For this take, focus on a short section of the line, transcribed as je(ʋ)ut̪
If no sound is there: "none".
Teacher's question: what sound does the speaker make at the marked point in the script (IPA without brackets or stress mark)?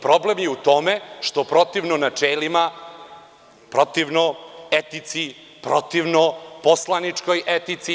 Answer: none